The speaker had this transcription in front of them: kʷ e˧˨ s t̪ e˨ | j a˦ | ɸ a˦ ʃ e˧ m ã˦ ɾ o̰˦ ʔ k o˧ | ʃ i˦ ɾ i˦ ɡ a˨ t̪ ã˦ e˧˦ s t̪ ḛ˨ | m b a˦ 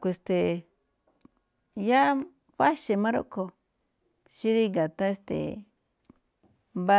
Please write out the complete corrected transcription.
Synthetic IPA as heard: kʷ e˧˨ s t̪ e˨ | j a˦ | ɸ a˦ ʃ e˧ m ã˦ ɾ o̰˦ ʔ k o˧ | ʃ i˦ ɾ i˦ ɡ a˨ t̪ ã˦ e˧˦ s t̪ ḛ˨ | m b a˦